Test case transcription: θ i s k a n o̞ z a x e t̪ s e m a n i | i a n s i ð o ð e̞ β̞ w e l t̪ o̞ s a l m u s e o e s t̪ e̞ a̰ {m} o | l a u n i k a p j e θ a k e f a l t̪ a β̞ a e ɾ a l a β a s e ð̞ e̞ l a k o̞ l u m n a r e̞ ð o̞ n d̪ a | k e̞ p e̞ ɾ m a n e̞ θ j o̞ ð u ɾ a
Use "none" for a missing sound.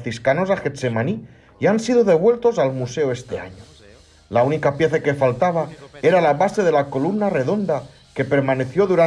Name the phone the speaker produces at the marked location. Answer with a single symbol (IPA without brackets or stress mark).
ɲ